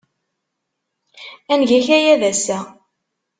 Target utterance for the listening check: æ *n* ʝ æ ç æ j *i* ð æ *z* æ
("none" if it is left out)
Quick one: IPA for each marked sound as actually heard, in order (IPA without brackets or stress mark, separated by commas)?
n, æ, s